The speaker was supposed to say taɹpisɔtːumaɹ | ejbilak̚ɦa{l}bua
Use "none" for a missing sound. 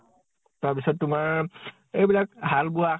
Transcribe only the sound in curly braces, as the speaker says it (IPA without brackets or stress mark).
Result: l